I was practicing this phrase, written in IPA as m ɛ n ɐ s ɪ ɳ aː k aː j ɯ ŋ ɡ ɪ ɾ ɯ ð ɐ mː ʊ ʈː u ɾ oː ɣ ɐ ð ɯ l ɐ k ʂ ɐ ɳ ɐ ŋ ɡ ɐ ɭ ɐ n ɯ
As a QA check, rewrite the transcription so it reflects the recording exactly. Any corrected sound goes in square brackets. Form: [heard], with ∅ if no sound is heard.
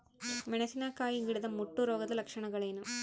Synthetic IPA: m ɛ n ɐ s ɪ [n] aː k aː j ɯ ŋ ɡ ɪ [ɽ] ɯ ð ɐ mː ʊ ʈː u ɾ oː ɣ ɐ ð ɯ l ɐ k ʂ ɐ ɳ ɐ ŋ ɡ ɐ ɭ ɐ n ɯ